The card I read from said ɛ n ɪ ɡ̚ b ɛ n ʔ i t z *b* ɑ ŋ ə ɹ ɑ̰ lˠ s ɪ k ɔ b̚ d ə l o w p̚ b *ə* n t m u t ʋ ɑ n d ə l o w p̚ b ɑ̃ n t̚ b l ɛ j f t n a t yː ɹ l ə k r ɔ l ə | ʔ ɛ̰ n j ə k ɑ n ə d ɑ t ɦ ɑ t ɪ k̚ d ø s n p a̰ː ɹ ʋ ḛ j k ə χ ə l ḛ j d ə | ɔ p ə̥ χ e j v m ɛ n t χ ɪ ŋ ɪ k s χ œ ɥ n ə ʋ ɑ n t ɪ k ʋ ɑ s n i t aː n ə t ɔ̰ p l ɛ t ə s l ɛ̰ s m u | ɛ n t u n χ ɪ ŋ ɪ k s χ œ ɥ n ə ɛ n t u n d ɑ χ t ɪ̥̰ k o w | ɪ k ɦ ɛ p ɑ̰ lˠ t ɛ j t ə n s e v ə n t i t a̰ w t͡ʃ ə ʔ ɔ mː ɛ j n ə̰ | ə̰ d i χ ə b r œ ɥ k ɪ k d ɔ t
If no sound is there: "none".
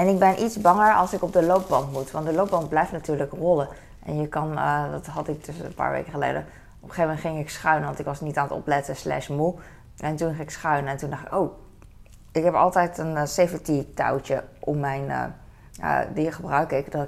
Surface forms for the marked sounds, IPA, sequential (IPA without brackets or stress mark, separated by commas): b, ɑ